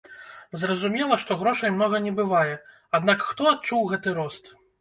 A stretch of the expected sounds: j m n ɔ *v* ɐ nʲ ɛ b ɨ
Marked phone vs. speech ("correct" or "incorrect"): incorrect